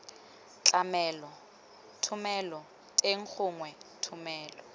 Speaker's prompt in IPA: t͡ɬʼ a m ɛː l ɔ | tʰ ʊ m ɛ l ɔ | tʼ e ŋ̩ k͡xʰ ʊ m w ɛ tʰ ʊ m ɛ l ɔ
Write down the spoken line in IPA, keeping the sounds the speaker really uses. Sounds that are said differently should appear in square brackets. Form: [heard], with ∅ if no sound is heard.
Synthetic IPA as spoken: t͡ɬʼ a m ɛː l ɔ | tʰ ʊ m ɛ l ɔ | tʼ e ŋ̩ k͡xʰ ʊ [ŋ] w ɛ tʰ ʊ m [ɛː] l ɔ